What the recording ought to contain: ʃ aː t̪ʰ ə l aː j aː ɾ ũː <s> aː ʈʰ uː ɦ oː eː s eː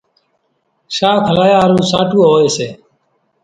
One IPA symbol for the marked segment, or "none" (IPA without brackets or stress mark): s